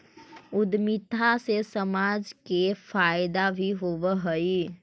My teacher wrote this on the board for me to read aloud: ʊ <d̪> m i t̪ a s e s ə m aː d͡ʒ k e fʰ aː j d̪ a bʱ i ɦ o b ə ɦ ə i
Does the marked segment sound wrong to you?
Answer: no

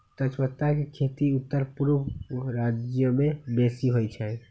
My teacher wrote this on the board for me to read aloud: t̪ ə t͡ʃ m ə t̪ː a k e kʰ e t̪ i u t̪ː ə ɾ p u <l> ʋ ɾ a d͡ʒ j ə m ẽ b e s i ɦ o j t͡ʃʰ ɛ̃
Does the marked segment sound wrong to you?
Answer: yes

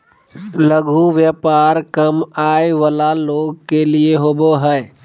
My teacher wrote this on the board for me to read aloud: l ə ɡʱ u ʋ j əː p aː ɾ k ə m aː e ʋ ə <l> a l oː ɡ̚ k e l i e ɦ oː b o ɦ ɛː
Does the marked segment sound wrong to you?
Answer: no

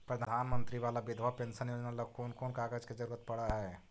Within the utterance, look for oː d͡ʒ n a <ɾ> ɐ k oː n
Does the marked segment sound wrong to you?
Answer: yes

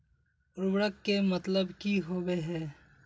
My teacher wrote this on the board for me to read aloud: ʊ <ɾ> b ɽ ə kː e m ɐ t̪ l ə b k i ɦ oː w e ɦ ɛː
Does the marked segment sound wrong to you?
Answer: no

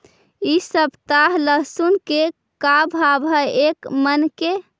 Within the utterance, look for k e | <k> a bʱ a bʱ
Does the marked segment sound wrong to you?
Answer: no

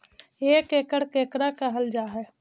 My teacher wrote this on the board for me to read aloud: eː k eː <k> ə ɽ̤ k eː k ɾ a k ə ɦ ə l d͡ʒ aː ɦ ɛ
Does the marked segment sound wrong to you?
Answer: no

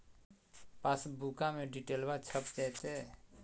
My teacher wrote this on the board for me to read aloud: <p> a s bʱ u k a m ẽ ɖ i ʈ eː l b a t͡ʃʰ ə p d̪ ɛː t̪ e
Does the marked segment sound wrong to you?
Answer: no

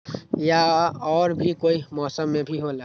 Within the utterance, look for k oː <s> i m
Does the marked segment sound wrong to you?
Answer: yes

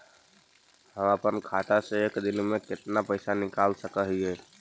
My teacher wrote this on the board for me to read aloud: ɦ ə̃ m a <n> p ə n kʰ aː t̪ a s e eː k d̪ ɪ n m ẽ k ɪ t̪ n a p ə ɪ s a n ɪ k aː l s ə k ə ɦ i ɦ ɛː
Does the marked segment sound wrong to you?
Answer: yes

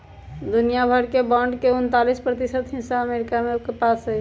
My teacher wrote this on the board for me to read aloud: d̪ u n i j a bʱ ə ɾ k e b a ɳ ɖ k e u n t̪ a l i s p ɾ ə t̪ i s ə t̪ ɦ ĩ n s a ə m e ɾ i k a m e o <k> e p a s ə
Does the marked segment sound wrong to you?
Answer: no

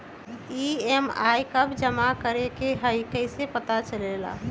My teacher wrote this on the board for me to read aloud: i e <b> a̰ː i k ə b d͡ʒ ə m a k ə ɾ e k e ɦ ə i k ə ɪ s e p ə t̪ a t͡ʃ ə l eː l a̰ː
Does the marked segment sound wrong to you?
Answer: yes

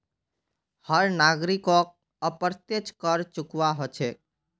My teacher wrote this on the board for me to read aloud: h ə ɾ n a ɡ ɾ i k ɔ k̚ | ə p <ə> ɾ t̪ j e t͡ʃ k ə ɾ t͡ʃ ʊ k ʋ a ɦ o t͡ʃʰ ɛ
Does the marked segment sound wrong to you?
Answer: no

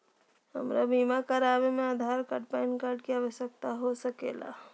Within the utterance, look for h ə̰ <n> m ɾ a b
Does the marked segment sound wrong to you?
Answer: yes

